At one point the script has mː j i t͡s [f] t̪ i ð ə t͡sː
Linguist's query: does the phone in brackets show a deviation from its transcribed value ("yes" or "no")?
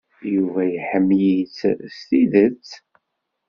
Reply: yes